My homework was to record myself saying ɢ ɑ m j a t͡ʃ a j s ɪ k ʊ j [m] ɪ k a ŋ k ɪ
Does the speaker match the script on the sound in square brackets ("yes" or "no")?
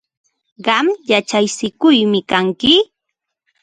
yes